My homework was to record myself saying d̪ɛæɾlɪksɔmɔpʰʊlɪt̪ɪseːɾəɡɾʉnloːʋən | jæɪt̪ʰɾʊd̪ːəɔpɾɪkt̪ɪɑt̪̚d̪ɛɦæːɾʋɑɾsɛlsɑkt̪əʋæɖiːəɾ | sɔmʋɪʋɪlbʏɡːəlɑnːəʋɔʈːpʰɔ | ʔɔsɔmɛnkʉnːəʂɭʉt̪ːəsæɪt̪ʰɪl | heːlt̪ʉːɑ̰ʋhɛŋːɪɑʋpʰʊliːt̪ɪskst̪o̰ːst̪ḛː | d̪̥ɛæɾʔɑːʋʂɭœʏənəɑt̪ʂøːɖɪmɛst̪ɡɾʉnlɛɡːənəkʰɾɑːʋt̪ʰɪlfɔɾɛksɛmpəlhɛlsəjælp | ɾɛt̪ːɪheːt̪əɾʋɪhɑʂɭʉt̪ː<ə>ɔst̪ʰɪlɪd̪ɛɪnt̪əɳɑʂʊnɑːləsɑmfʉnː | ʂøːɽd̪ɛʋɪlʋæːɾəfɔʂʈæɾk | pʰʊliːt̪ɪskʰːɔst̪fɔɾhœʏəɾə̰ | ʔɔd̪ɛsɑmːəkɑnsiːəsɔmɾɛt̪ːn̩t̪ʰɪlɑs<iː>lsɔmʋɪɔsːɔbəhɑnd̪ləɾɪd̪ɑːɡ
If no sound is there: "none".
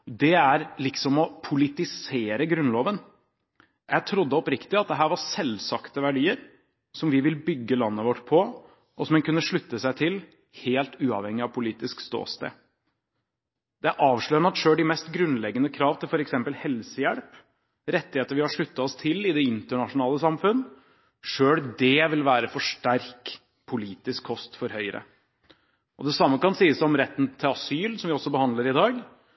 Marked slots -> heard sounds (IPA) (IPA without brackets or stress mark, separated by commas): ɑ, yː